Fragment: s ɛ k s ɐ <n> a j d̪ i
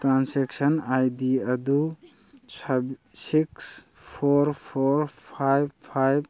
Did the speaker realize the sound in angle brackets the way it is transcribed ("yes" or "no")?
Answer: yes